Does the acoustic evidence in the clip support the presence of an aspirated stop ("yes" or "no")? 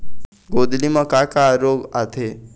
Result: yes